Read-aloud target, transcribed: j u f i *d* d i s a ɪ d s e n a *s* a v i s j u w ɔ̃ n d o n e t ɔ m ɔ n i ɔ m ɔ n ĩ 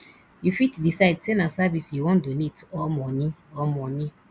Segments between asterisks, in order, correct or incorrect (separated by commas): incorrect, correct